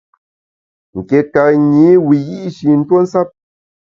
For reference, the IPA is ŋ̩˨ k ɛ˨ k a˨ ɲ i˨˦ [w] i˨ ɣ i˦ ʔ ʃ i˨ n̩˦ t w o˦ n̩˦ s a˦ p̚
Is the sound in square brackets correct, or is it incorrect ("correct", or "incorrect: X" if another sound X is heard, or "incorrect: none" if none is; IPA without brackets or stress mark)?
correct